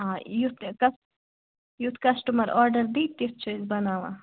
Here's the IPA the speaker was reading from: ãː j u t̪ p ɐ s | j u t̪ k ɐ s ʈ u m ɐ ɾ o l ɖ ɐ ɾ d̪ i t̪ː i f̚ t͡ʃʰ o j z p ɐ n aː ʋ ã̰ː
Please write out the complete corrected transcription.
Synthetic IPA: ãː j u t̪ k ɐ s | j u t̪ k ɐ s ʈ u m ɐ ɾ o ɾ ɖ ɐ ɾ d̪ i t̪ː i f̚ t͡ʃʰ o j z b ɐ n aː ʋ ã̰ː

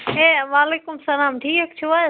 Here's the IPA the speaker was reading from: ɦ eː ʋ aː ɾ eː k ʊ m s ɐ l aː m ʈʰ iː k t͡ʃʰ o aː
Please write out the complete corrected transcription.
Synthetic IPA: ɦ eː ʋ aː l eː k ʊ m s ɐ l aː m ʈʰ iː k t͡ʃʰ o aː

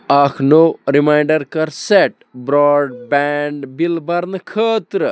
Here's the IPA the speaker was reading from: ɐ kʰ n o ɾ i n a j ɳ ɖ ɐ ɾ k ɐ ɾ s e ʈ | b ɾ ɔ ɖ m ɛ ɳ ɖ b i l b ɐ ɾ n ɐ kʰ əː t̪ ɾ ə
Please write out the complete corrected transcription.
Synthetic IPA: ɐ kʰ n o ɾ i m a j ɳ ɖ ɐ ɾ k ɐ ɾ s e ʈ | b ɾ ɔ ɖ b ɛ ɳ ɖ b i l b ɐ ɾ n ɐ kʰ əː t̪ ɾ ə

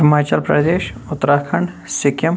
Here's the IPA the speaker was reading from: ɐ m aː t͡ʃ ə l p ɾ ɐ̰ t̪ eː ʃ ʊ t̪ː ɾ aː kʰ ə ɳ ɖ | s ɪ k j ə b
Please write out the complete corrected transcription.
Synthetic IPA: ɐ m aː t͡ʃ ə l p ɾ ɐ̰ d̪ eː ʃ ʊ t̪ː ɾ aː kʰ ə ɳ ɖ | s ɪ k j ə m

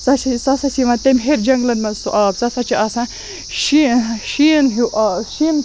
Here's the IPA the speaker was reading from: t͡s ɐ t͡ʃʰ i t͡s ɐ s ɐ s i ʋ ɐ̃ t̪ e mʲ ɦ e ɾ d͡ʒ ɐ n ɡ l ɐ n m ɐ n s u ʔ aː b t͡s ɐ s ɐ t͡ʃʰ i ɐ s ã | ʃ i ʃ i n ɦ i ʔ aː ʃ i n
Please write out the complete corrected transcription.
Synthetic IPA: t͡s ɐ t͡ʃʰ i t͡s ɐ s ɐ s i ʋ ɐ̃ t̪ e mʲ ɦ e ɾ d͡ʒ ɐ ŋ ɡ l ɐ n m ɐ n s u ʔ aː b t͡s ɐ s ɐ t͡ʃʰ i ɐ s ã | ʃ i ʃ i n ɦ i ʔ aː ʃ i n

